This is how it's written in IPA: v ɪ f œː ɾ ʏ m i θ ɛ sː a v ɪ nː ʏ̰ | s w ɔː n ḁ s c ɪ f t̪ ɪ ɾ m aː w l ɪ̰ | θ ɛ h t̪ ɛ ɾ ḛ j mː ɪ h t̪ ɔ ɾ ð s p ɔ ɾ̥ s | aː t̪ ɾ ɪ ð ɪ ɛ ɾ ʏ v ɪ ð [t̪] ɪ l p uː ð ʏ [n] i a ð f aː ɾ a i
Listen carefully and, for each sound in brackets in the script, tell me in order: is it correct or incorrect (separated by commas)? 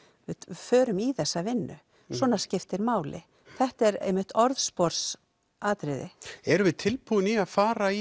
incorrect, correct